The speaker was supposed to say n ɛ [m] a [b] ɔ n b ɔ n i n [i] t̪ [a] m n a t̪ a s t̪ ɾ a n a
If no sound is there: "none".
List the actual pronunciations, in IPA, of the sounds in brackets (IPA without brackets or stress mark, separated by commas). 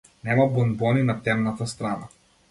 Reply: m, b, a, ɛ